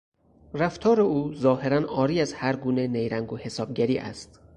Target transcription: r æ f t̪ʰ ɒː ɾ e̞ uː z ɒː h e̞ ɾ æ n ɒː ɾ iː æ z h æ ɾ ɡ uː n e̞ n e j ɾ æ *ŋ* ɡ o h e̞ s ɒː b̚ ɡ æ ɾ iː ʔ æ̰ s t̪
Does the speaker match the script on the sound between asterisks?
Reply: yes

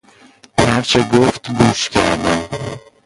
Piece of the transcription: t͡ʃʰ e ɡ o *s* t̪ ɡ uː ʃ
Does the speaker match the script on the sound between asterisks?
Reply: no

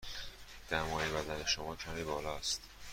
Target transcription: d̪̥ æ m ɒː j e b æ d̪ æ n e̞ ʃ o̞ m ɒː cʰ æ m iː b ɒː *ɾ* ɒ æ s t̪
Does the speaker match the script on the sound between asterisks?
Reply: no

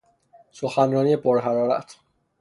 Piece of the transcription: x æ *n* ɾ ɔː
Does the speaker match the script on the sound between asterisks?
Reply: yes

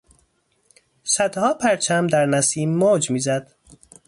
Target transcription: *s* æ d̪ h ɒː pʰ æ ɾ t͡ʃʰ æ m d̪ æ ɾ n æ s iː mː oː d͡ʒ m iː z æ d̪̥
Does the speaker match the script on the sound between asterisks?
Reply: yes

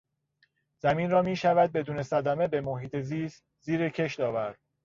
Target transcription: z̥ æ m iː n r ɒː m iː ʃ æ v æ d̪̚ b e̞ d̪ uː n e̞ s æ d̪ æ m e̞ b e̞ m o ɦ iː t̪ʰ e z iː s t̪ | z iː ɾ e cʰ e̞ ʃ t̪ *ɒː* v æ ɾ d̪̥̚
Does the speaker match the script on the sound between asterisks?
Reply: yes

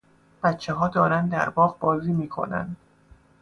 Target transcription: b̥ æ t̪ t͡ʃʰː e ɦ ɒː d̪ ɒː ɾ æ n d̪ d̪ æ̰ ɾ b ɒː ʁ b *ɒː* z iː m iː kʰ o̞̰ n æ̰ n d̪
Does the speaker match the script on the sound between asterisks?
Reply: yes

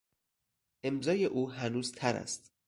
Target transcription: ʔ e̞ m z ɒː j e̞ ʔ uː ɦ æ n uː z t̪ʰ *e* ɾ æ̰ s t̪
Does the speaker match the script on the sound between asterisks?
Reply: no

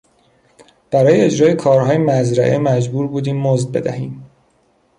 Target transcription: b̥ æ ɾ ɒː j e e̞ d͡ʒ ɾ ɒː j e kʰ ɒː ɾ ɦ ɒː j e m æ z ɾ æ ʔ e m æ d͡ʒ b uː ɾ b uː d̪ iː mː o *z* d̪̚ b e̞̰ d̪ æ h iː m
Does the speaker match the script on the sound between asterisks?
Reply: yes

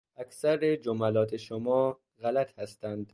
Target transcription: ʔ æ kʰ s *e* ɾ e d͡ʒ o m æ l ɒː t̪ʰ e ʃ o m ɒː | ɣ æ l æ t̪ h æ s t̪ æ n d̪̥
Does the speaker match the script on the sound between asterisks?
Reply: no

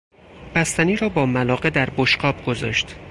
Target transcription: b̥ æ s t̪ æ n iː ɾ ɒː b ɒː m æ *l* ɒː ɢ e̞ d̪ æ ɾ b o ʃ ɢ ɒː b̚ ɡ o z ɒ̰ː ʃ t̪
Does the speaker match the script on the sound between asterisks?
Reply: yes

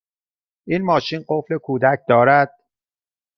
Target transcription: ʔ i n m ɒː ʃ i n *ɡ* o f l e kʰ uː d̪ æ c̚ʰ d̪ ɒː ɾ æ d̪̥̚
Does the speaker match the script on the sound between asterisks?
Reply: no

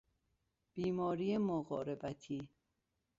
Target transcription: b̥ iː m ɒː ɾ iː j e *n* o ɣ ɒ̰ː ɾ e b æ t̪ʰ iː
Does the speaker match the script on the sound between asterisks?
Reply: no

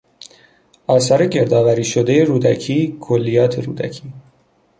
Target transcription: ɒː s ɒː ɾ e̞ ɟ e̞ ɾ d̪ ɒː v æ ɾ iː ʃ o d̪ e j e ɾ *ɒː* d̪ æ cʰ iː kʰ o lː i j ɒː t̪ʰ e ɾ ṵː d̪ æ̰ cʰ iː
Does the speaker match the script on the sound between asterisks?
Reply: no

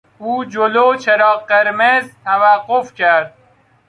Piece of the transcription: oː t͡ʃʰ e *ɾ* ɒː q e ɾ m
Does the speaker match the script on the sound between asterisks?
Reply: yes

